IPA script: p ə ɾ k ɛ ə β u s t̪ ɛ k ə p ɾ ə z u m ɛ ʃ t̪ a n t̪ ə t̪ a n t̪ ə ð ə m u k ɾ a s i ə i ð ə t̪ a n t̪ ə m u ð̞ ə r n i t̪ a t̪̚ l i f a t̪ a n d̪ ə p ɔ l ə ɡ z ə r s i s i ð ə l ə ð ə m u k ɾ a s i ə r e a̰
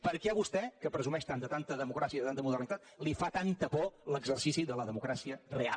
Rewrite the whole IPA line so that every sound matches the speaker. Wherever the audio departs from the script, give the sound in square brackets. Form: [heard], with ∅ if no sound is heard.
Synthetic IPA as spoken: p ə ɾ k ɛ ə β u s t̪ ɛ k ə p ɾ ə z u m ɛ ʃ t̪ a n [d̪] ə t̪ a n t̪ ə ð ə m u k ɾ a s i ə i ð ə t̪ a n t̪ ə m u ð̞ ə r n i t̪ a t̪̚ l i f a t̪ a n [t̪] ə p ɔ l ə ɡ z ə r s i s i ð ə l ə ð ə m u k ɾ a s i ə r e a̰